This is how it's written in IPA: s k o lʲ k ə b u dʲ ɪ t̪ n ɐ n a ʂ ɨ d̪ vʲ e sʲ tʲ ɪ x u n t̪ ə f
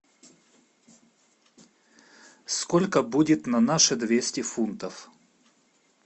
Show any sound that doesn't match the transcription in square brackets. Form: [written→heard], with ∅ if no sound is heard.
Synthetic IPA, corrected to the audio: s k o lʲ k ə b u dʲ ɪ t̪ n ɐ n a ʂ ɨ d̪ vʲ e sʲ tʲ ɪ [x→f] u n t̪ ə f